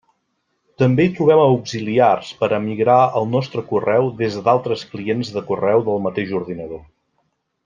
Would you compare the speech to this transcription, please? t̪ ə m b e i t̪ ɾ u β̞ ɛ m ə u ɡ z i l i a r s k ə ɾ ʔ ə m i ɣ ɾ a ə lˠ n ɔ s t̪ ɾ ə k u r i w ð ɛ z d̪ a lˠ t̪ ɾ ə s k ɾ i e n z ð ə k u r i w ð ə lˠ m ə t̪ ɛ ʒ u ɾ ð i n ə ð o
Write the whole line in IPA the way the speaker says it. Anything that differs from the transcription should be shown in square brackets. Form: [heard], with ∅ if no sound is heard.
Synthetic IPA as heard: t̪ ə m b e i t̪ ɾ u β̞ ɛ m ə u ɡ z i l i a r s [p] ə ɾ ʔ ə m i ɣ ɾ a ə lˠ n ɔ s t̪ ɾ ə k u r [ɛ] w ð [e] z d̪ a lˠ t̪ ɾ ə s k [l] i e n z ð ə k u r [ɛ] w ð ə lˠ m ə t̪ [e] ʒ u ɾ ð i n ə ð o